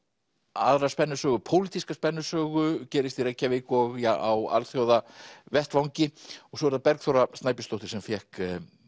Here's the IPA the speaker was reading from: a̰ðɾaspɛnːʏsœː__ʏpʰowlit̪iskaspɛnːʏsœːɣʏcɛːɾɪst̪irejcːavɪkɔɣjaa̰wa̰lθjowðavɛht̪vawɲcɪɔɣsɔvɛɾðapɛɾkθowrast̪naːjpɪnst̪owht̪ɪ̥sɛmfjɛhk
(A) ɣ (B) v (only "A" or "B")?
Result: A